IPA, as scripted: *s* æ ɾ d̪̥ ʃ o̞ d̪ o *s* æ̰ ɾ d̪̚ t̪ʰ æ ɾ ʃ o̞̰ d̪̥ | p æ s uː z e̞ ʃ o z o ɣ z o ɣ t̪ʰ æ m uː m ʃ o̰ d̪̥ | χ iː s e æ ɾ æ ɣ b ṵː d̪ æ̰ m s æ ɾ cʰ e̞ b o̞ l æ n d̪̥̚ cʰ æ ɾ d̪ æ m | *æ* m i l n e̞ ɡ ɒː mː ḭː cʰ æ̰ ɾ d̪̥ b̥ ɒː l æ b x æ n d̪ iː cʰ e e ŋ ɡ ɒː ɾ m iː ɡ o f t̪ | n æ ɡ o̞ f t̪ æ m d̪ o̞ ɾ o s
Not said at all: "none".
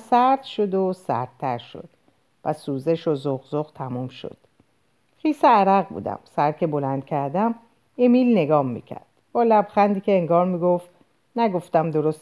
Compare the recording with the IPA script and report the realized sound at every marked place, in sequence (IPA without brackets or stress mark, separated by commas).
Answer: s, s, e